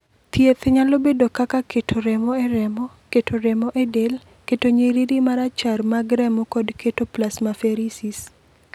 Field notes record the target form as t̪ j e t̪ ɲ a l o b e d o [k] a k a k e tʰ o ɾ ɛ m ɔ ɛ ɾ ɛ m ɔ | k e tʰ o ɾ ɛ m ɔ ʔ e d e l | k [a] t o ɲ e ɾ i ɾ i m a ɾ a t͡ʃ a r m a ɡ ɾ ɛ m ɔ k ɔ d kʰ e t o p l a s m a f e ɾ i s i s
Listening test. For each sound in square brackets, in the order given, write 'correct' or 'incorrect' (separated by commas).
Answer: correct, incorrect